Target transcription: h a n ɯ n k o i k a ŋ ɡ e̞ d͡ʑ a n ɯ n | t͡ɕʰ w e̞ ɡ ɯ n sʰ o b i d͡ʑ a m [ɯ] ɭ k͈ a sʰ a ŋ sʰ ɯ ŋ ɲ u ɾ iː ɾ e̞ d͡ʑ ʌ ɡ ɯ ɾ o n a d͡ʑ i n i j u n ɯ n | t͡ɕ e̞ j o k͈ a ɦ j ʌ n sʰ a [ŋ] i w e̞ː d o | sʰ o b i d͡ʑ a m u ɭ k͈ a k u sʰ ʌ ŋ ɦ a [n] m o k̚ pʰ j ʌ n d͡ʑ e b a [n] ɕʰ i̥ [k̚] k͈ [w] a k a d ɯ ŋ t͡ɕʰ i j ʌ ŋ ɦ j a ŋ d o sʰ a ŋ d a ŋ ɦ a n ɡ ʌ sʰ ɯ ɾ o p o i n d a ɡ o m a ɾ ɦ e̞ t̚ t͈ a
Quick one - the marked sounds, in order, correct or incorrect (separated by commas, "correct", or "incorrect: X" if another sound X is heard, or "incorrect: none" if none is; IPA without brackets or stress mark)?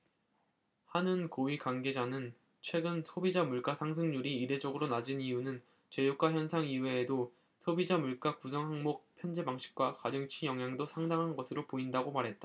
incorrect: u, correct, incorrect: ŋ, incorrect: ŋ, correct, correct